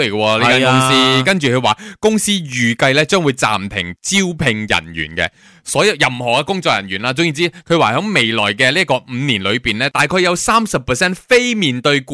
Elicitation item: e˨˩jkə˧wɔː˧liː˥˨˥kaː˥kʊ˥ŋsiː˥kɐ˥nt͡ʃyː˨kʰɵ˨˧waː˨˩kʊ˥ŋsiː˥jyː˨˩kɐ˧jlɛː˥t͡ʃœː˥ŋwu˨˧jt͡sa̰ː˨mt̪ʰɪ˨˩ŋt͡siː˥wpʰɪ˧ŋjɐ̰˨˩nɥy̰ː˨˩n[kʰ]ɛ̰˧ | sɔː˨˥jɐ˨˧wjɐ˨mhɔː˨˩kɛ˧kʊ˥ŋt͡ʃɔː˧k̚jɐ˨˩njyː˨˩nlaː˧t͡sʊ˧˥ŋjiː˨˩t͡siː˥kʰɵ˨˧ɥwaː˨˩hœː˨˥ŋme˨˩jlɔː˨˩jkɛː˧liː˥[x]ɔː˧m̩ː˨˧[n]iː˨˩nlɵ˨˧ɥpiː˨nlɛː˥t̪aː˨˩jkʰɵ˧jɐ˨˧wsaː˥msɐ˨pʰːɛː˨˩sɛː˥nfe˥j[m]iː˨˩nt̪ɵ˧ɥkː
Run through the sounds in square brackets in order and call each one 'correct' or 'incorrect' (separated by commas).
incorrect, incorrect, correct, correct